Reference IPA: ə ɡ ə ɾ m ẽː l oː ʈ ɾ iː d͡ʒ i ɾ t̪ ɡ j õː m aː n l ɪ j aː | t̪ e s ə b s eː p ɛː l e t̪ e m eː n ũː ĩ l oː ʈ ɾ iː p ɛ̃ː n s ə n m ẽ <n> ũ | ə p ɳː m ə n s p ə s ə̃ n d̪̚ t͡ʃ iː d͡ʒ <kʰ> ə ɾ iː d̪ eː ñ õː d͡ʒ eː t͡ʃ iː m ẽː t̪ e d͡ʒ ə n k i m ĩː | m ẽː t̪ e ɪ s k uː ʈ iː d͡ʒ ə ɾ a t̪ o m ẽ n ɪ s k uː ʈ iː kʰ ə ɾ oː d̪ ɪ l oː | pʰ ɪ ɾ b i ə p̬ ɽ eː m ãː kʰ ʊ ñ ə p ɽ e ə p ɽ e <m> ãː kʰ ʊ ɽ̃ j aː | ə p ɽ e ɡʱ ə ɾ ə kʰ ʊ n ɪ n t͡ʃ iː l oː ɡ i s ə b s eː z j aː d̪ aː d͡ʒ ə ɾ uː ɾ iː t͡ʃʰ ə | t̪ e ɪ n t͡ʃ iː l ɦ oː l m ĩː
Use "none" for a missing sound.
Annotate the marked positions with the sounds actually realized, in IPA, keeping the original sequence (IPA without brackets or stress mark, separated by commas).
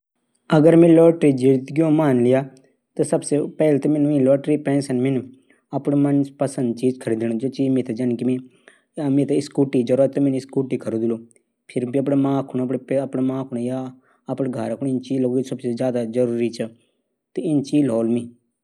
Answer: n, kʰ, m